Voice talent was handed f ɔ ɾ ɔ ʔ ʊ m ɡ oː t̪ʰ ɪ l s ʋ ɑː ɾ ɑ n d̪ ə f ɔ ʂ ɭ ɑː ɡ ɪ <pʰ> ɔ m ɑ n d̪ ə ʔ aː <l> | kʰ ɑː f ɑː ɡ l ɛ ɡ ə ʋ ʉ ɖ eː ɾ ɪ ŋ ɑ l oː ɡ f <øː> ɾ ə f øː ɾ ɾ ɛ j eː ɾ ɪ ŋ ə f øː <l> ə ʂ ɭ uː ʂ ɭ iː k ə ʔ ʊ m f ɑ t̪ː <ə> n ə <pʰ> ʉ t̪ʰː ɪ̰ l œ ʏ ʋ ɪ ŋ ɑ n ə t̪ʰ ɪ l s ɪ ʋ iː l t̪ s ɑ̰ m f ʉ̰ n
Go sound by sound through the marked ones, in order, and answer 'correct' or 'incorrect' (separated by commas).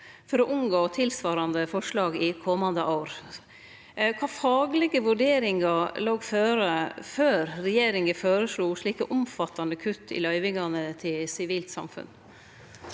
incorrect, incorrect, correct, incorrect, incorrect, incorrect